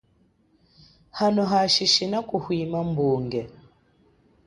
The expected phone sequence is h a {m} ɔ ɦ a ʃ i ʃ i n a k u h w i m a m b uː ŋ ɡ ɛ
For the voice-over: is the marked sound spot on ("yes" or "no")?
no